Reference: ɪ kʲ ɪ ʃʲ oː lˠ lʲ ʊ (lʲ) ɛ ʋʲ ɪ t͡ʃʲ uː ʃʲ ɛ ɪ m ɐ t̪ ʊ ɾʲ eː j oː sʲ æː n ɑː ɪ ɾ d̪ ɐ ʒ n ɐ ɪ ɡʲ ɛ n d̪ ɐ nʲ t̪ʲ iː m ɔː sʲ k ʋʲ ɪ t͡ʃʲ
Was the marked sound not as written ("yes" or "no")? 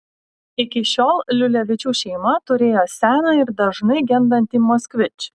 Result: no